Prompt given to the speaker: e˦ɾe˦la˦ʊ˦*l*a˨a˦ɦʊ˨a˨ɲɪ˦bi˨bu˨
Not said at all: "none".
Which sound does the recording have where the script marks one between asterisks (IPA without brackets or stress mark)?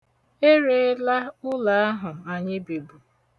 l